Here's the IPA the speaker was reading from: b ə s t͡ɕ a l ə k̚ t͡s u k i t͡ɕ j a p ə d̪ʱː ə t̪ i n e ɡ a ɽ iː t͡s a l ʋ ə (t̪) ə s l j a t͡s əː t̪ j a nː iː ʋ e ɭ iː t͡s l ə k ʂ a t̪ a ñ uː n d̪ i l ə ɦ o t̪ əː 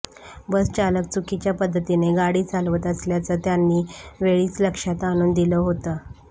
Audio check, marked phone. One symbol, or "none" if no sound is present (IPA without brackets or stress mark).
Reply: t̪